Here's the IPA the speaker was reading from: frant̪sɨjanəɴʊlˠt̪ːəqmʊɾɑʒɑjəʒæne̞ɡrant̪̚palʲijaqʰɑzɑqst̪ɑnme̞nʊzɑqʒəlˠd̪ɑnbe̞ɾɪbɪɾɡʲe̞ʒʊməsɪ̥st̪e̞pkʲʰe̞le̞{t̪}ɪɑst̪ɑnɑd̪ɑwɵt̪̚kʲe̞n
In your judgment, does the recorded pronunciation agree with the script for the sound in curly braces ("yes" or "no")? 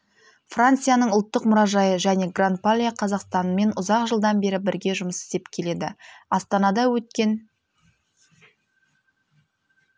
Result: no